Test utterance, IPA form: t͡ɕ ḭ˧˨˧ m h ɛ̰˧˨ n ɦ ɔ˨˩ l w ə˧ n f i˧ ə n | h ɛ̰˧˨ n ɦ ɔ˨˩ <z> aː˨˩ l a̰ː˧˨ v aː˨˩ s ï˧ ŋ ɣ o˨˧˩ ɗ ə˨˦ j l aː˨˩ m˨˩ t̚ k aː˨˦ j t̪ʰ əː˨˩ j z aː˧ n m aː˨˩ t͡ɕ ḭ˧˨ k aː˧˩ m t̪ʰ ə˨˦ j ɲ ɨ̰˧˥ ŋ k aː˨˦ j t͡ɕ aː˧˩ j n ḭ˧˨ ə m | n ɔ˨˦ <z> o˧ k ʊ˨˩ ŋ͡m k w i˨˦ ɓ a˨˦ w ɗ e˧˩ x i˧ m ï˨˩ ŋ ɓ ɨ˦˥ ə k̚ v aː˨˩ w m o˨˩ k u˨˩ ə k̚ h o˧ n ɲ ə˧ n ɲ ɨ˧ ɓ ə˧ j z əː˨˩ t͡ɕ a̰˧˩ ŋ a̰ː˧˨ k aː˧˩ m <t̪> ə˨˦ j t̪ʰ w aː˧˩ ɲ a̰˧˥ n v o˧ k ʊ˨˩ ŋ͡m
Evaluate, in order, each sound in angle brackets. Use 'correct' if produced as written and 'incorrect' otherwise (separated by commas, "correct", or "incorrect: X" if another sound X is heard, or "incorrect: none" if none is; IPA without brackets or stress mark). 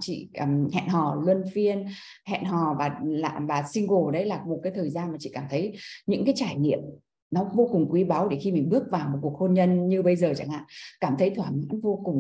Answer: incorrect: v, incorrect: v, incorrect: t̪ʰ